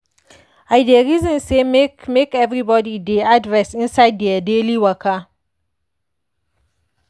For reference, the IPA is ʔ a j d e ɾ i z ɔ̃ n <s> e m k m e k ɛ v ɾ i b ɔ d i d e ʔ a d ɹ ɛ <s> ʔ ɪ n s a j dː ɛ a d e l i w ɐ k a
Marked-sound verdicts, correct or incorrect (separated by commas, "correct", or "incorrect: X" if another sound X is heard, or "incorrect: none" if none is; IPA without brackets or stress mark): correct, correct